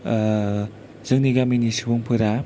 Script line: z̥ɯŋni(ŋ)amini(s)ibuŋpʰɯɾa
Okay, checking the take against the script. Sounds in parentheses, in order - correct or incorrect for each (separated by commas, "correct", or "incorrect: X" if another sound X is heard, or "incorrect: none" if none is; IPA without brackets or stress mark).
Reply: incorrect: ɡ, correct